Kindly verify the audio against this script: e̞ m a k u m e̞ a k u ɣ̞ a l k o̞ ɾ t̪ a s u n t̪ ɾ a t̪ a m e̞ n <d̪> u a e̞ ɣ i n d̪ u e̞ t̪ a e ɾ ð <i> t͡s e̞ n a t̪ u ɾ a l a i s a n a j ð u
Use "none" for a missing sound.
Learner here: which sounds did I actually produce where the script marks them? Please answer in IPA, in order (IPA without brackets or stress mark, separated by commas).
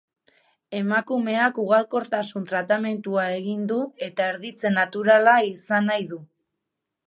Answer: t̪, i